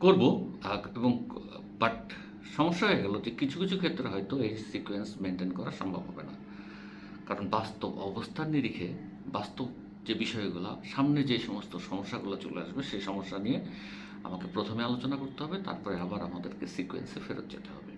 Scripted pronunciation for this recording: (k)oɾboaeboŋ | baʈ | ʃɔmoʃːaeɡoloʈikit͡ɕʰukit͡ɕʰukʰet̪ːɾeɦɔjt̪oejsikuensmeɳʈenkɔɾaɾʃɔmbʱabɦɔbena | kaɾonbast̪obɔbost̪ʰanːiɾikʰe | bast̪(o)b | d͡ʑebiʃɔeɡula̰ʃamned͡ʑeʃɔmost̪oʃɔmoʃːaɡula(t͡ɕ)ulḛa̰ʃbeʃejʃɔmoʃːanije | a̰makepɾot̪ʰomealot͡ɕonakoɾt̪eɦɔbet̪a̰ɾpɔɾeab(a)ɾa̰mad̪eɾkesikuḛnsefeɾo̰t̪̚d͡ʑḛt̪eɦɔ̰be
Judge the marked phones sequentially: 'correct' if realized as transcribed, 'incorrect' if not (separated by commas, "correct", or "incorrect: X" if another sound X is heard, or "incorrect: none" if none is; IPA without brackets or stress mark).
correct, correct, correct, correct